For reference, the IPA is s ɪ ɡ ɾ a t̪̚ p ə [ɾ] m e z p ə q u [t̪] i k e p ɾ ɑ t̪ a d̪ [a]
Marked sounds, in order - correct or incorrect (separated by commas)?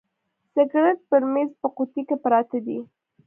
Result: correct, correct, incorrect